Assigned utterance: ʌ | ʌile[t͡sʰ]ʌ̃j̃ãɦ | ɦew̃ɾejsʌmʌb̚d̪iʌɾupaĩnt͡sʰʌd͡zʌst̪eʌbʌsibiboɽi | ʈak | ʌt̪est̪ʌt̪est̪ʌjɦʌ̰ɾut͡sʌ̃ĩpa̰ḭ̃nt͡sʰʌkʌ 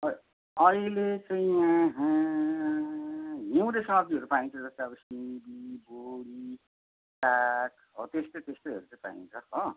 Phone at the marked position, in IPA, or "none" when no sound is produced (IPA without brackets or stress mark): t͡s